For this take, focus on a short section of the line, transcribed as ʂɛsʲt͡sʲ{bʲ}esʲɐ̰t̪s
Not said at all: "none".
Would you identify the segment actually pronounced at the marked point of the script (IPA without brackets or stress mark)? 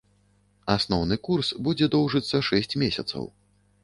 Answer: mʲ